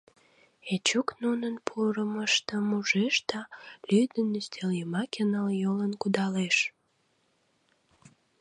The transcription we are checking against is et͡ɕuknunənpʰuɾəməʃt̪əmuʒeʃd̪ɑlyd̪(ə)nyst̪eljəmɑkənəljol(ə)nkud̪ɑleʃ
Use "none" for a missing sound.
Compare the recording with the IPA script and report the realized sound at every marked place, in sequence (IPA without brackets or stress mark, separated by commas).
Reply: ə, ə